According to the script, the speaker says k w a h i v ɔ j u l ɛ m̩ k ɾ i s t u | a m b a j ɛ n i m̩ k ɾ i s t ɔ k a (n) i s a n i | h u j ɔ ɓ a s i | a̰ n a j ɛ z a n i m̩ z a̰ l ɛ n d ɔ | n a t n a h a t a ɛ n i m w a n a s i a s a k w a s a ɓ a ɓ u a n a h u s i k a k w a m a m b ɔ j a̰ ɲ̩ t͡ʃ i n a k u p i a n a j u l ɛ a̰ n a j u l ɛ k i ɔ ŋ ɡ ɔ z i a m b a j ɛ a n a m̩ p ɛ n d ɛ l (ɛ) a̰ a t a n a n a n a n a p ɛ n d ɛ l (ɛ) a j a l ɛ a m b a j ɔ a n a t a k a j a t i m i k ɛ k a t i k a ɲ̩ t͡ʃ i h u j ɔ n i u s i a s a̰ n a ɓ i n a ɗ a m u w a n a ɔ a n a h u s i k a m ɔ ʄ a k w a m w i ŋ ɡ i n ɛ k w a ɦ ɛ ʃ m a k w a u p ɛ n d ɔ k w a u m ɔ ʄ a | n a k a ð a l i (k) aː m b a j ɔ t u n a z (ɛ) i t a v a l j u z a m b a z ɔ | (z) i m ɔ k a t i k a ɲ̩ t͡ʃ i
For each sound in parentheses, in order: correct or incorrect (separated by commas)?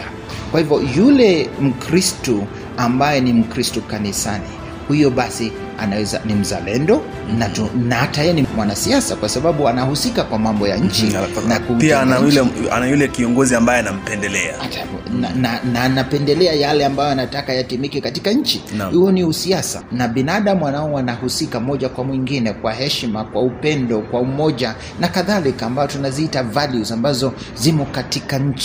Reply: correct, correct, correct, correct, incorrect, correct